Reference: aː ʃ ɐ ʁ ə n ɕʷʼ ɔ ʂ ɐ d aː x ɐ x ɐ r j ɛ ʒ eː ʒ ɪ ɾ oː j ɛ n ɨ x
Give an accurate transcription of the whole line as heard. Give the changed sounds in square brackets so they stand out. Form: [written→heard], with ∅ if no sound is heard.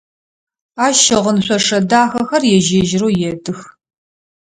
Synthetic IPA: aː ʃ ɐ ʁ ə n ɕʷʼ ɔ ʂ ɐ d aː x ɐ x ɐ r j ɛ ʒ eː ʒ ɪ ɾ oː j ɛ [n→d] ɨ x